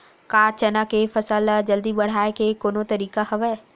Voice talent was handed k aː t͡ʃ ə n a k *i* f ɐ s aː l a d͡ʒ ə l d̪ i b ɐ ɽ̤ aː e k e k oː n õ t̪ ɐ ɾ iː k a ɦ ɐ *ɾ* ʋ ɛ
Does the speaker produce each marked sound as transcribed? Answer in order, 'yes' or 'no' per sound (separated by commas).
no, no